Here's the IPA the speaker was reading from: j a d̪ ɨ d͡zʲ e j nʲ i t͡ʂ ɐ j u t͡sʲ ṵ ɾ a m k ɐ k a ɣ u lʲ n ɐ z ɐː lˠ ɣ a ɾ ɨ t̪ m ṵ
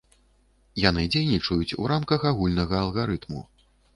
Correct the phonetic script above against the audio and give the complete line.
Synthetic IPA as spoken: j a n̪ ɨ d͡zʲ e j nʲ i t͡ʂ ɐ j u t͡sʲ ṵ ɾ a m k ɐ x a ɣ u lʲ n ɐ ɣ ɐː lˠ ɣ a ɾ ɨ t̪ m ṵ